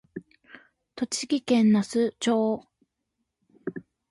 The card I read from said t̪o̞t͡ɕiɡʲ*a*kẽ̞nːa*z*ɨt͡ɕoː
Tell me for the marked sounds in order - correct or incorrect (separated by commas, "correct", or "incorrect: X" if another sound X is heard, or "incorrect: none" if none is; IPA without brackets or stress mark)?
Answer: incorrect: i, incorrect: s